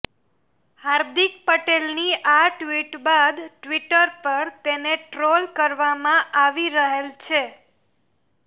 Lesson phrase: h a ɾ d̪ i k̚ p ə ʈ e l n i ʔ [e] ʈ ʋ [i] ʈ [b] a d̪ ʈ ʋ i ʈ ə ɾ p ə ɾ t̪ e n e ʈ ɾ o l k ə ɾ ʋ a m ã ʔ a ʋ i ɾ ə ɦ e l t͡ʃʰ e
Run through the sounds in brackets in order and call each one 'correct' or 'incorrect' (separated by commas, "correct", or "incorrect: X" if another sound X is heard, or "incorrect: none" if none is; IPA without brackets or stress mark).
incorrect: a, correct, correct